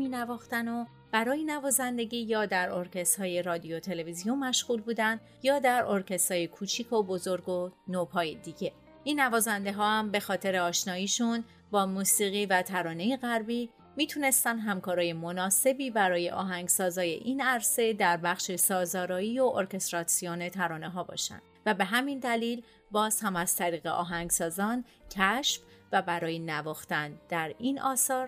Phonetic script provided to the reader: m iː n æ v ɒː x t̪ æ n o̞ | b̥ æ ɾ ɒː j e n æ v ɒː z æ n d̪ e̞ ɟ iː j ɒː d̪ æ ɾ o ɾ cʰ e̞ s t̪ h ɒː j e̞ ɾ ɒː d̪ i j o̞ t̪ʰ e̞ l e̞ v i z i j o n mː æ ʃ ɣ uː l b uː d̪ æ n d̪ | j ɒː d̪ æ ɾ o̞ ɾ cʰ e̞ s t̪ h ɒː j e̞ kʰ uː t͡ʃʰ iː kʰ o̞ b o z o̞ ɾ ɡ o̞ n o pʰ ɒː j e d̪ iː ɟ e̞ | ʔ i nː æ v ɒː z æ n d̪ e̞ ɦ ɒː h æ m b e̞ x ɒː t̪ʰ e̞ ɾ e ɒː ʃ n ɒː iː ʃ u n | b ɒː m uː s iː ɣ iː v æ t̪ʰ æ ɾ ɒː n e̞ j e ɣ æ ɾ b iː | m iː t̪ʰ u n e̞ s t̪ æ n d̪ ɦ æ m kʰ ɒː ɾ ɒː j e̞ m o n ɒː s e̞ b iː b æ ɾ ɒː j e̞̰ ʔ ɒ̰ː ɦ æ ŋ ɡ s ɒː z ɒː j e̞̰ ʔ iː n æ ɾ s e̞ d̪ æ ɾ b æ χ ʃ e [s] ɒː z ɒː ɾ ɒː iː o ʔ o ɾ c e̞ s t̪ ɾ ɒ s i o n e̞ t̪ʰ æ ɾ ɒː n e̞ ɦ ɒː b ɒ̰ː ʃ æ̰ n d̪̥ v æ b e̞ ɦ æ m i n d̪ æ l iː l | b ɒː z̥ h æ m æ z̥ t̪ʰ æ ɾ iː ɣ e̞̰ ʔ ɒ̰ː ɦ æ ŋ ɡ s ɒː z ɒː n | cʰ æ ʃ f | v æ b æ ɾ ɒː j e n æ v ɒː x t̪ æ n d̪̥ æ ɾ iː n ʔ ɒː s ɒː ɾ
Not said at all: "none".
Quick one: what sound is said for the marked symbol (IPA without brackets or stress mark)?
s